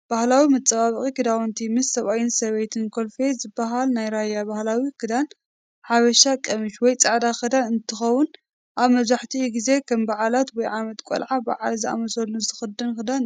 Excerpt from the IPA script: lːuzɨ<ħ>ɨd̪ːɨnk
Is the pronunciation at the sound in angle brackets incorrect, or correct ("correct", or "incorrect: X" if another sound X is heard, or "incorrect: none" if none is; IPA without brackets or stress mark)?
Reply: incorrect: x